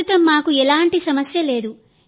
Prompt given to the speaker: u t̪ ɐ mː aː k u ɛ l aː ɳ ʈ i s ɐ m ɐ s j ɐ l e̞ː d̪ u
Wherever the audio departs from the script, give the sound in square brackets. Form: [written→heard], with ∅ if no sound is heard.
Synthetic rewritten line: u t̪ ɐ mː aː k u ɛ l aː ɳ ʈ i s ɐ m ɐ s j ɐ l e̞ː d̪ u